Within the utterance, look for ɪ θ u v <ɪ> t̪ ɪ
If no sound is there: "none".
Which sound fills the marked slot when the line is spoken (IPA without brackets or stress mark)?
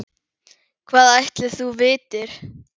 ɪː